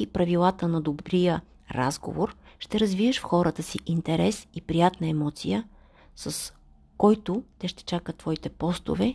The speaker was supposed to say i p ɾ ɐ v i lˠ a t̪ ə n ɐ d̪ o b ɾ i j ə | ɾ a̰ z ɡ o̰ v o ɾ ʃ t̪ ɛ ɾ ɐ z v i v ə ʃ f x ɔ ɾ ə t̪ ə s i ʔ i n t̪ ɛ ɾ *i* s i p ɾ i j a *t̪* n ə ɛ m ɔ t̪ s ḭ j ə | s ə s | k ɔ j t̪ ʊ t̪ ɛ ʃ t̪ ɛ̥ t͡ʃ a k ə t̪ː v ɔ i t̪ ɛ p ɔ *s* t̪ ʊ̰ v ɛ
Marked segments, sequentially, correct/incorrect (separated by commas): incorrect, correct, correct